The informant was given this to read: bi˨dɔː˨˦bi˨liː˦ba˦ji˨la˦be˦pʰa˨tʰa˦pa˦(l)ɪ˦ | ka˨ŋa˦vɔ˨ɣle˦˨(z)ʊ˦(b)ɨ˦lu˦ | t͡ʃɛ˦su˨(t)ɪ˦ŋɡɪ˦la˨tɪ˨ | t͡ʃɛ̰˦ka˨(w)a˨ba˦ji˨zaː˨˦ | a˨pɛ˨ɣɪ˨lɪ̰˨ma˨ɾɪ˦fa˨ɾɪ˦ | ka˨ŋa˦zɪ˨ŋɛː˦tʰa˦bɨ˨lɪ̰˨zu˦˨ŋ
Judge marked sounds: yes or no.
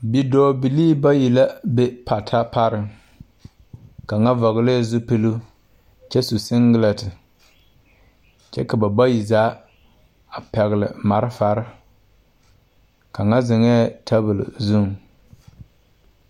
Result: no, yes, no, no, no

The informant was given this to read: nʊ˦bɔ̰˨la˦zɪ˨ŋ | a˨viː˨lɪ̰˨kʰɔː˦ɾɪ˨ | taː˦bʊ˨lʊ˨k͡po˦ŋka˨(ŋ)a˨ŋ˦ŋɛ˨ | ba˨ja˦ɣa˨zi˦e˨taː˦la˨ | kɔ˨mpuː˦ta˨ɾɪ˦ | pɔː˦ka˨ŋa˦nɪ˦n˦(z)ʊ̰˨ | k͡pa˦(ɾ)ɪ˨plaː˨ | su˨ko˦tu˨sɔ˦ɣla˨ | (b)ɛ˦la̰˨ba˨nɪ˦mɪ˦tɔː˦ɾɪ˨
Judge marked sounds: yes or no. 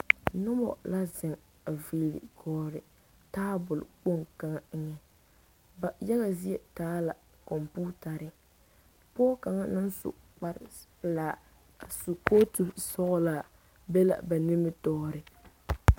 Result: yes, no, yes, yes

